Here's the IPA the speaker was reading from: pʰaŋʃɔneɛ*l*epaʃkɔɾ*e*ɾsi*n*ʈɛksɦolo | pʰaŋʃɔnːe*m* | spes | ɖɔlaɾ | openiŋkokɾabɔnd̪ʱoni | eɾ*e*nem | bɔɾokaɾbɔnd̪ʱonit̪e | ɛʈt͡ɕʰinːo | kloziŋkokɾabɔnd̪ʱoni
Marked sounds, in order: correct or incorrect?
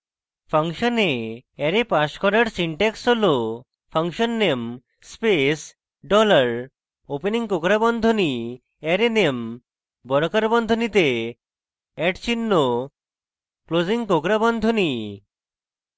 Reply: incorrect, incorrect, incorrect, correct, correct

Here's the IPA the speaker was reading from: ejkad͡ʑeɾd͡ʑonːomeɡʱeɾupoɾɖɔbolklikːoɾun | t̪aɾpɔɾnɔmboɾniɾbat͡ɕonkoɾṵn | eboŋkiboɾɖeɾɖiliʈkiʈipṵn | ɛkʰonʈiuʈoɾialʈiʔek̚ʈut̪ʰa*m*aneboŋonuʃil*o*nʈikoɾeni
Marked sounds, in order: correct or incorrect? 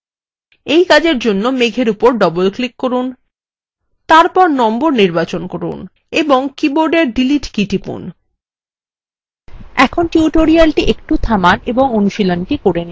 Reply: correct, correct

